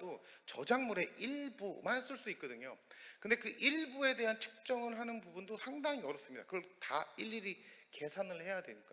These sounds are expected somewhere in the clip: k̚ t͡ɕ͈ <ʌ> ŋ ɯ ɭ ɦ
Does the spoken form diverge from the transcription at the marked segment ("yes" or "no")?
no